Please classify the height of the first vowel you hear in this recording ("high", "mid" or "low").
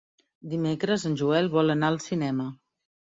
high